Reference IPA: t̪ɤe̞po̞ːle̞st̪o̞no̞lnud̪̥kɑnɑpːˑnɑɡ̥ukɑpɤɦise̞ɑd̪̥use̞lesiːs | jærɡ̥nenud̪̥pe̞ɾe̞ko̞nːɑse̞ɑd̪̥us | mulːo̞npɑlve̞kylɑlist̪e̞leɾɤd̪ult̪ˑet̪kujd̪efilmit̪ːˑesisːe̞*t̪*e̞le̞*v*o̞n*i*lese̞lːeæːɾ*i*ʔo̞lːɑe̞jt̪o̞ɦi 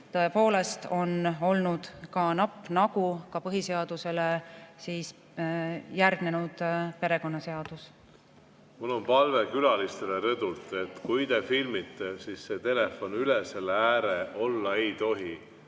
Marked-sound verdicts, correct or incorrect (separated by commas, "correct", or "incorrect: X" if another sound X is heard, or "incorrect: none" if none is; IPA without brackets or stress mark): correct, incorrect: f, incorrect: y, incorrect: e